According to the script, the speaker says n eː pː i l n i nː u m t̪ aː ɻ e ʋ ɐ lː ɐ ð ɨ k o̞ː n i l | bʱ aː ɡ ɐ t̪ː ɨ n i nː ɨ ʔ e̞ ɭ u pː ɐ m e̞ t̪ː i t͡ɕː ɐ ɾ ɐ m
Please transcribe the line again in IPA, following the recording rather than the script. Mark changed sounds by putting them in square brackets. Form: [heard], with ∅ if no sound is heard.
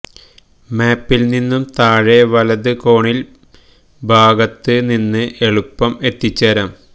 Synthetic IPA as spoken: [m] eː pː i l n i nː u m t̪ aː ɻ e ʋ ɐ [l] ɐ ð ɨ k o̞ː [ɳ] i l | bʱ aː ɡ ɐ t̪ː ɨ n i nː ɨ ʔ e̞ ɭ u pː ɐ m e̞ t̪ː i t͡ɕː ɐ ɾ ɐ m